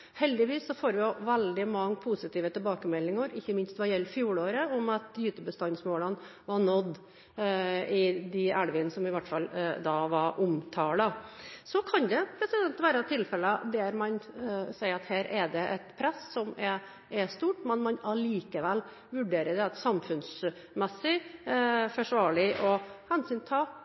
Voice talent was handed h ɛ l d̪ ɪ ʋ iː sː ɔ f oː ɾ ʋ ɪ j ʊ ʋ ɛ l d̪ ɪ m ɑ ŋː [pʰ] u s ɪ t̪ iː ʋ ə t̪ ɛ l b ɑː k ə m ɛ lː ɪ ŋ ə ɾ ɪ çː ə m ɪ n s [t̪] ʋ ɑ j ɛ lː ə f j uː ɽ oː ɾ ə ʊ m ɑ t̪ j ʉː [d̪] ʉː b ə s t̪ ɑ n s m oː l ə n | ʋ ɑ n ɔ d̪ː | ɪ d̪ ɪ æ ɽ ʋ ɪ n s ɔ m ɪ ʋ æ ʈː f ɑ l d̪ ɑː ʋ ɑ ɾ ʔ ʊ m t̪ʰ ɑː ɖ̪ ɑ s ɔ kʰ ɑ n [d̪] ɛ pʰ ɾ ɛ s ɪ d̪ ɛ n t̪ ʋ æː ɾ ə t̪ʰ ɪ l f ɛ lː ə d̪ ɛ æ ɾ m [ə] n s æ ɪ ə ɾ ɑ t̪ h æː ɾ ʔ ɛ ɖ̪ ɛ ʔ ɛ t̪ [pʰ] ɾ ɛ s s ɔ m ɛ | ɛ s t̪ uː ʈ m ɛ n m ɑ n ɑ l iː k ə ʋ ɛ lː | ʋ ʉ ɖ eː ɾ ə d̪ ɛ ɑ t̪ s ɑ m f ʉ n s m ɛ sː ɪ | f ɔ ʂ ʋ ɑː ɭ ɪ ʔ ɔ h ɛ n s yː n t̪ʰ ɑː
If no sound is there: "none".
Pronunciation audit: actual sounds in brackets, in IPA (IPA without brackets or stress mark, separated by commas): pʰ, t̪, t̪, d̪, ɑ, pʰ